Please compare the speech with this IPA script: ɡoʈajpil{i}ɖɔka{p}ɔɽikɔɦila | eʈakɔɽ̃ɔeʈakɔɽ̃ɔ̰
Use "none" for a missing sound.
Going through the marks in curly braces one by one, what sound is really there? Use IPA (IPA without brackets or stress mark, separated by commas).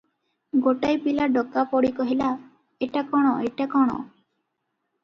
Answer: a, p